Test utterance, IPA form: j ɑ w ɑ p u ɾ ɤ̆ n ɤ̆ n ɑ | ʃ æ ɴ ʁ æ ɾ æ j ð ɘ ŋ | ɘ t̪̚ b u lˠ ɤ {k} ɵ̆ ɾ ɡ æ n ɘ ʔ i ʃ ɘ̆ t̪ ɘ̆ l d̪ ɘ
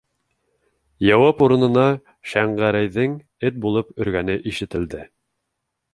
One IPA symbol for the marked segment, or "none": p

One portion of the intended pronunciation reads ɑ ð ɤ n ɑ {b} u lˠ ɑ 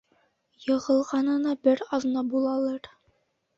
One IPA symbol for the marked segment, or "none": b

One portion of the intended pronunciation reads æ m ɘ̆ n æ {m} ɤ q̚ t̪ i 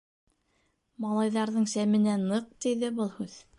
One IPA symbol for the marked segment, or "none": n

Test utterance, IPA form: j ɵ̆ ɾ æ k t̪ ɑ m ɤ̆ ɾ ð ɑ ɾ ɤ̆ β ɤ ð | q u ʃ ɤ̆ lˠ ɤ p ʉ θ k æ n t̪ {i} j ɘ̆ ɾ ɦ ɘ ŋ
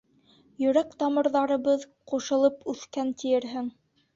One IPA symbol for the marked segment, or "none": i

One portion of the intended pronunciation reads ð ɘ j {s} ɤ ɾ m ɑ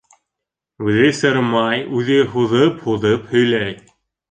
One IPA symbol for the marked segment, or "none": s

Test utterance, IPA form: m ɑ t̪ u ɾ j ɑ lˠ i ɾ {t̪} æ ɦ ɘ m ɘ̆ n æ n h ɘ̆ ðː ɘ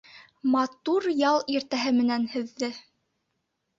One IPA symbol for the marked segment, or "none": t̪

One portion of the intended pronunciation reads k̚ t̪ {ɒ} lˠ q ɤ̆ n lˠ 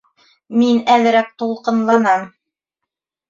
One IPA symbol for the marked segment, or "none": u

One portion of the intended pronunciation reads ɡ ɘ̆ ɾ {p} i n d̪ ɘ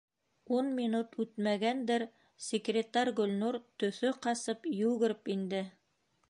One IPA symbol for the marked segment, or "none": p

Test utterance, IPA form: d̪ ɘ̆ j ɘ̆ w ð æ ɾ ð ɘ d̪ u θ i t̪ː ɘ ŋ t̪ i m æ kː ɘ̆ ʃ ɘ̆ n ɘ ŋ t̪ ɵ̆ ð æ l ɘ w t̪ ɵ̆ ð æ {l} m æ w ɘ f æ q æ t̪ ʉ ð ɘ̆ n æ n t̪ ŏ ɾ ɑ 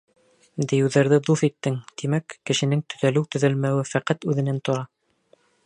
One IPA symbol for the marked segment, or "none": l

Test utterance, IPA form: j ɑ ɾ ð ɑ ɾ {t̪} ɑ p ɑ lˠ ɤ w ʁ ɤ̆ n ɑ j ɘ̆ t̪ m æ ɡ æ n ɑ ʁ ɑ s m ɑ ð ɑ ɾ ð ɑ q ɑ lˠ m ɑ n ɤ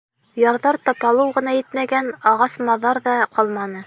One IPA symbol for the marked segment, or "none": t̪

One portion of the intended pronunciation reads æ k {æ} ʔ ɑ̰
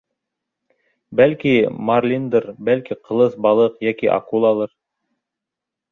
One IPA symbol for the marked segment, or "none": i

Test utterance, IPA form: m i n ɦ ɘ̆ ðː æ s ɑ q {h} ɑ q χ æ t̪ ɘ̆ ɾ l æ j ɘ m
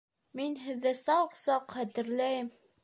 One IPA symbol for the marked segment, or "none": s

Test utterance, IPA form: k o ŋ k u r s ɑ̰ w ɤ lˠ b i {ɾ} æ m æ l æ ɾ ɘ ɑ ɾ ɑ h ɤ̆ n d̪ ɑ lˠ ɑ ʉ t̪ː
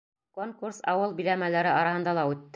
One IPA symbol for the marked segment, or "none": l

